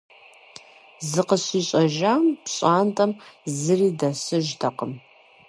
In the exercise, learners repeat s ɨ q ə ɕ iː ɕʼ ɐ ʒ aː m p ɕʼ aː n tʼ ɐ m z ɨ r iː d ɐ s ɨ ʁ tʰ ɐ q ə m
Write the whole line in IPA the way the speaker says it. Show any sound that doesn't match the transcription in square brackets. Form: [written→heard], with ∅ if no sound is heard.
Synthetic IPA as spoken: [s→z] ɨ q ə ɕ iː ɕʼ ɐ ʒ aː m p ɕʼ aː n tʼ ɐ m z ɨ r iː d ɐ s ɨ [ʁ→ʒ] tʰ ɐ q ə m